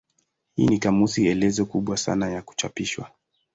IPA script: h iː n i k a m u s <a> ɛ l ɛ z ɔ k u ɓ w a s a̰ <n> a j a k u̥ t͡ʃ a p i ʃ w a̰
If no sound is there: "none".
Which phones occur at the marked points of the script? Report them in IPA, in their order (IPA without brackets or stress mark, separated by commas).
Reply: i, n